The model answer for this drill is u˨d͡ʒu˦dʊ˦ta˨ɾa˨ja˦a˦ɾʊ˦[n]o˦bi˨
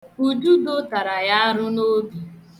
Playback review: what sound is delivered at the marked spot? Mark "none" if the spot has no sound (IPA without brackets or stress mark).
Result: n